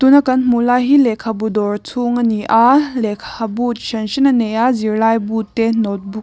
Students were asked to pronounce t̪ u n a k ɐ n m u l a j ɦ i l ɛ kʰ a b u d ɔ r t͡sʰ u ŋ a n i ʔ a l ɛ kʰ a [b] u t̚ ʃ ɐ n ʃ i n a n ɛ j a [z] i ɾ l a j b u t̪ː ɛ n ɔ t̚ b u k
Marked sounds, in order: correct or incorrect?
correct, correct

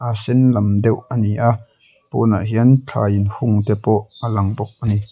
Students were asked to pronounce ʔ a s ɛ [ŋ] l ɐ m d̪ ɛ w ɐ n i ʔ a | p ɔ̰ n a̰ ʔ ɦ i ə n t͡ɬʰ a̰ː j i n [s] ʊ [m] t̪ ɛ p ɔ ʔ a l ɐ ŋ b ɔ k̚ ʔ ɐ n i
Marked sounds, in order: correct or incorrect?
incorrect: n, incorrect: h, incorrect: ŋ

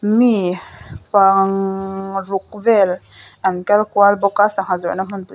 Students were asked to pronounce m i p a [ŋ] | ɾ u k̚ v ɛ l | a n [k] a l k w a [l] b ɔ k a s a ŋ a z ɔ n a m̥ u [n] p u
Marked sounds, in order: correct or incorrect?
correct, correct, correct, correct

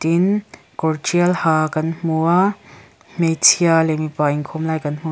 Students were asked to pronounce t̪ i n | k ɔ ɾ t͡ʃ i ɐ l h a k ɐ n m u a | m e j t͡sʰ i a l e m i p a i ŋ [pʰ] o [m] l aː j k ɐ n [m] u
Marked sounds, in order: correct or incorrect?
incorrect: kʰ, correct, correct

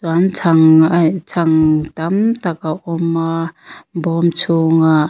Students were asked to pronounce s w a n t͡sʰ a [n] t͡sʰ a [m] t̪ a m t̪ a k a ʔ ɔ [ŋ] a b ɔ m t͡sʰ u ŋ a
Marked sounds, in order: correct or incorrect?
incorrect: ŋ, incorrect: ŋ, incorrect: m

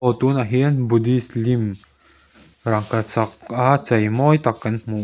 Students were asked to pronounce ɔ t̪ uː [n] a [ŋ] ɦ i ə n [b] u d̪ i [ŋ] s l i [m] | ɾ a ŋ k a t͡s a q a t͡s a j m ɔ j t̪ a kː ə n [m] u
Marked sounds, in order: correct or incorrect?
correct, incorrect: none, correct, incorrect: none, correct, correct

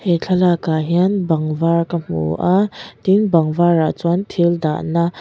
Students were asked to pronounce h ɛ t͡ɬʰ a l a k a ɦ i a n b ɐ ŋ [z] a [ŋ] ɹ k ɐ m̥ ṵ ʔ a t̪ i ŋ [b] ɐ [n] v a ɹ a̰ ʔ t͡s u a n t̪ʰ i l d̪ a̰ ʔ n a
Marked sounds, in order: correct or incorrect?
incorrect: v, incorrect: none, correct, incorrect: ŋ

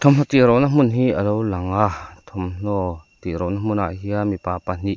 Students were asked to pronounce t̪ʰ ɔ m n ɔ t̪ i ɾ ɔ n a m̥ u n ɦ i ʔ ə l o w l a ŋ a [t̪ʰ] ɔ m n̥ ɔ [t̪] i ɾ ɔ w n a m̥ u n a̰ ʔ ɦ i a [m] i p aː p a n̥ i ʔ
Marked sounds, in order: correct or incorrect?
correct, correct, correct

